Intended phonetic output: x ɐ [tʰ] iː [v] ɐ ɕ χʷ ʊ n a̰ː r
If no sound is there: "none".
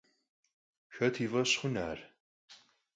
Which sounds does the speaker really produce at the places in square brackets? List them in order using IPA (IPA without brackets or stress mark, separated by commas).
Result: tʰ, v